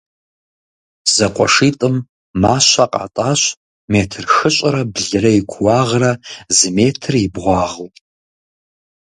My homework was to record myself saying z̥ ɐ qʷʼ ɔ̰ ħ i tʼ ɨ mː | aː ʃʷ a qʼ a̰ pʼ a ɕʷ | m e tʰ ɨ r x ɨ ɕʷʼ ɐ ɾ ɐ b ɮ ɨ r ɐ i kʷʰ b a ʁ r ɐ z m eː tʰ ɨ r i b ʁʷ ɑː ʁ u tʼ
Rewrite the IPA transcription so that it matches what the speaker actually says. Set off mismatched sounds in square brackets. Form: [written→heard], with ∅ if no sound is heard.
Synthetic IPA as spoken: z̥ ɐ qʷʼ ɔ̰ [ħ→ʂ] i tʼ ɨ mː | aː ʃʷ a qʼ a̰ [pʼ→tʼ] a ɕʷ | m e tʰ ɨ r x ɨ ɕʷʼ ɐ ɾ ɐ b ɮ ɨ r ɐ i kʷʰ [b→w] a ʁ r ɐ z m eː tʰ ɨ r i b ʁʷ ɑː ʁ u tʼ